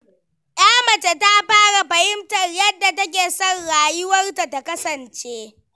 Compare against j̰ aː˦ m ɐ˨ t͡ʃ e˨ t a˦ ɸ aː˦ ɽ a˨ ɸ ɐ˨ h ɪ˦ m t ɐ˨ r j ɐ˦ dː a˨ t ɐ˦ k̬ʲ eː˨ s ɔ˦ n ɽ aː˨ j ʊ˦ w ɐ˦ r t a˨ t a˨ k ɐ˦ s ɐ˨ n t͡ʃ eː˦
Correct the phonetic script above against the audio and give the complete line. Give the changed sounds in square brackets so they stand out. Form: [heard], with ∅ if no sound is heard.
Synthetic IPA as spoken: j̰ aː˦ m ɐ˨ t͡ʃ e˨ t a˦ ɸ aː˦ ɽ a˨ ɸ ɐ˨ h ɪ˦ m t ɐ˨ r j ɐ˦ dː a˨ t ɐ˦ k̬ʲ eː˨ s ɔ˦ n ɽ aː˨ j ʊ˦ w ɐ˦ r t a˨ t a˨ k ɐ˦ s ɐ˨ n t͡ʃ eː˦